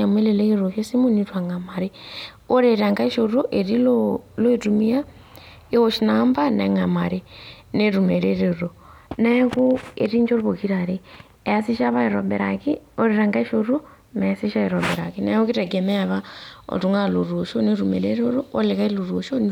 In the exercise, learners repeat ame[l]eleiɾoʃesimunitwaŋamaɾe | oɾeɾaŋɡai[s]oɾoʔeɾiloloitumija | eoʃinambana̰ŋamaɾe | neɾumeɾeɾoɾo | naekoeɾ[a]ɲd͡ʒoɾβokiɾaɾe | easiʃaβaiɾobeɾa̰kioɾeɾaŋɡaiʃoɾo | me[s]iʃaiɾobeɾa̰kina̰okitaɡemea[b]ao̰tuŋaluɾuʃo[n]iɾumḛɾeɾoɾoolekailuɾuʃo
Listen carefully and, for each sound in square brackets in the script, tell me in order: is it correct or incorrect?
correct, incorrect, incorrect, correct, incorrect, correct

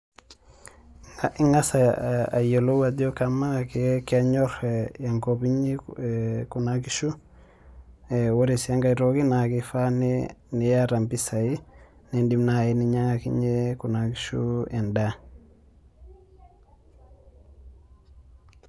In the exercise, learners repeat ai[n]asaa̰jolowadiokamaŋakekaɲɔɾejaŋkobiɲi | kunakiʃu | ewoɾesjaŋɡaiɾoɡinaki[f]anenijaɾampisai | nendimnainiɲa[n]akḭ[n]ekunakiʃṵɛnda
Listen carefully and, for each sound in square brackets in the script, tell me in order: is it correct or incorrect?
incorrect, correct, incorrect, incorrect

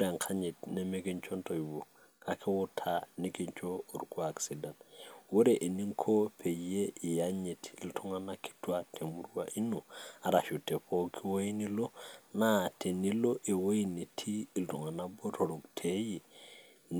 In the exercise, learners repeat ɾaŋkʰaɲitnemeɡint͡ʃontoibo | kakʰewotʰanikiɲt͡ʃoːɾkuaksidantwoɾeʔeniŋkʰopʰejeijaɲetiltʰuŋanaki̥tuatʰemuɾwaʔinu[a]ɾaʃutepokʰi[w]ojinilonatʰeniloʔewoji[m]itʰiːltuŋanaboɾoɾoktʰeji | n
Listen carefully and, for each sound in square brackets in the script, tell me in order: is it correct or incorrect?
correct, correct, incorrect

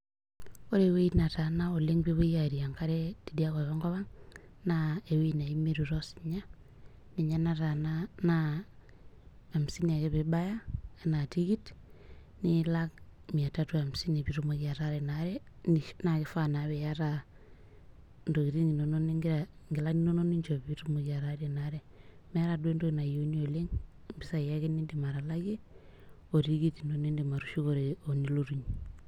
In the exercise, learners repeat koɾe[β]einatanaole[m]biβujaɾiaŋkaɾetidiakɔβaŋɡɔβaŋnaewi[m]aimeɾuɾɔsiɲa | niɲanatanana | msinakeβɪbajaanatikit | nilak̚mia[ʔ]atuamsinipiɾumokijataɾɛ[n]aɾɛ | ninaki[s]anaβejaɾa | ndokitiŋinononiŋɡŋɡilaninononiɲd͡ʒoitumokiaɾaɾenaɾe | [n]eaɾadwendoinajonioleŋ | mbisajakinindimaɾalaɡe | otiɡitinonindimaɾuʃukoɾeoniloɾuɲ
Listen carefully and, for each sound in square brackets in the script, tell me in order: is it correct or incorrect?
incorrect, incorrect, incorrect, incorrect, correct, incorrect, incorrect

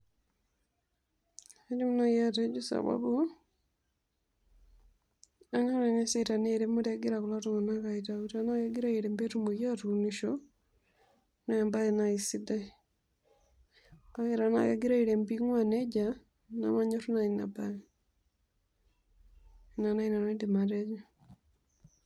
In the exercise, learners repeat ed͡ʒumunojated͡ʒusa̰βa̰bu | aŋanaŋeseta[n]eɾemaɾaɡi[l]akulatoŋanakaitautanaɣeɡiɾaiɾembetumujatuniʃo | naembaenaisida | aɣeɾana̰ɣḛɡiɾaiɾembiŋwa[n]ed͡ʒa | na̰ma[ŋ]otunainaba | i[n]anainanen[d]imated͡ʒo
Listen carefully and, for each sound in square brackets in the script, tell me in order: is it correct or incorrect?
correct, incorrect, correct, incorrect, correct, correct

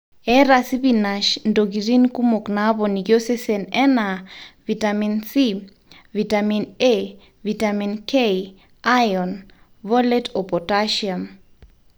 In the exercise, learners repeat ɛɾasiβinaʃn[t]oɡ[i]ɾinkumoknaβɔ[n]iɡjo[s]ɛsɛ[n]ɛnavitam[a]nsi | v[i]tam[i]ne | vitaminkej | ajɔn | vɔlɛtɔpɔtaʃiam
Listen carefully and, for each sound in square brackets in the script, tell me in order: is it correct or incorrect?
incorrect, correct, correct, correct, correct, incorrect, correct, correct

